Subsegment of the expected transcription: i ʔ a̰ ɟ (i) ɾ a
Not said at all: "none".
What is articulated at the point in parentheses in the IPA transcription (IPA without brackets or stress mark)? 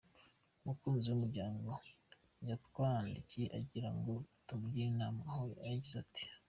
i